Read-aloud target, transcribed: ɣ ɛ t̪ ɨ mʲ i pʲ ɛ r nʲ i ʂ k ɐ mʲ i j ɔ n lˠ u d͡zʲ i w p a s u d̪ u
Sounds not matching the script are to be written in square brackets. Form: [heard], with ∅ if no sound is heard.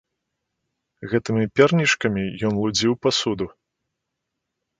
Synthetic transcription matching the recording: ɣ ɛ t̪ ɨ mʲ i pʲ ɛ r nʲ i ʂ k ɐ mʲ i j ɔ n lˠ u d͡zʲ i w p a s u d̪ u